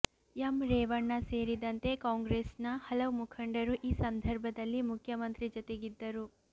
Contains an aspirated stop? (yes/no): yes